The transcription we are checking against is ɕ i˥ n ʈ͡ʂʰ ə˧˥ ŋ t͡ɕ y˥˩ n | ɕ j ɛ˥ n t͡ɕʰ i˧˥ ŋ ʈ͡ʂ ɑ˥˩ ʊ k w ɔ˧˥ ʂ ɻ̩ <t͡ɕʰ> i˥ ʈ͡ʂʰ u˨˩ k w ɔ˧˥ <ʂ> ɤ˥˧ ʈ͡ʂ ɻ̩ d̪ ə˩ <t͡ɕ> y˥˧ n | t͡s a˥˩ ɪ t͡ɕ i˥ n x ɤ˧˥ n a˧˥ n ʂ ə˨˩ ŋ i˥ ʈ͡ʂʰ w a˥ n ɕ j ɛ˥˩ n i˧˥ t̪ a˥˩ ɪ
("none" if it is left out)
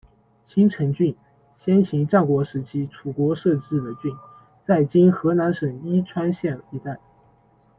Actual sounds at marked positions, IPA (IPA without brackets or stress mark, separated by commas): t͡ɕʰ, ʂ, t͡ɕ